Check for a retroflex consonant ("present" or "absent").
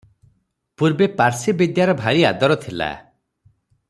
absent